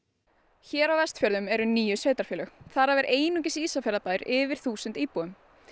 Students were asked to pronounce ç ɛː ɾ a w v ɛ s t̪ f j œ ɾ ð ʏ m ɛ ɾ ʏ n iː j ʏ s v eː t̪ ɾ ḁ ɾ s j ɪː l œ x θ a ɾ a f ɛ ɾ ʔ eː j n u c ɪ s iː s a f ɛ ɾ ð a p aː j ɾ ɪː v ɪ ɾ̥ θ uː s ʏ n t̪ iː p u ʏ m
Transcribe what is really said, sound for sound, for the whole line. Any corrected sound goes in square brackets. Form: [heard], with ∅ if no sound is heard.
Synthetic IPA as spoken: ç ɛː ɾ a w v ɛ s t̪ f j œ ɾ ð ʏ m ɛ ɾ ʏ n iː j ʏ s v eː t̪ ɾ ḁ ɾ [f] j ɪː l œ x θ a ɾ a [v] ɛ ɾ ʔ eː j n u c ɪ s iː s a f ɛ ɾ ð a p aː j ɾ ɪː v ɪ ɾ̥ θ uː s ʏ n t̪ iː p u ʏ m